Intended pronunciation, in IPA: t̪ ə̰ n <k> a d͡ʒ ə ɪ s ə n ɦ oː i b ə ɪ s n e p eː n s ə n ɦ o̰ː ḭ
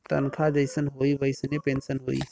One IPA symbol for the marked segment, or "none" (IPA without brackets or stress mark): kʰ